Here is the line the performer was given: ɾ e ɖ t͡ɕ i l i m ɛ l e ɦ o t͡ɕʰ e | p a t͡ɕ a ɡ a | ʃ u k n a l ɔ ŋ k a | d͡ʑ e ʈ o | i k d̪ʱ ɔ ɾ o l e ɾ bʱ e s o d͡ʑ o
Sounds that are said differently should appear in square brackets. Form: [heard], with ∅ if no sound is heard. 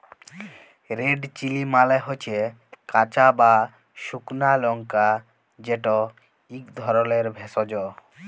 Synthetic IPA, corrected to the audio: ɾ e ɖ t͡ɕ i l i m [a] l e ɦ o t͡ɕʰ e | [k] a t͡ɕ a [b] a | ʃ u k n a l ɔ ŋ k a | d͡ʑ e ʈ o | i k d̪ʱ ɔ ɾ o l e ɾ bʱ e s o d͡ʑ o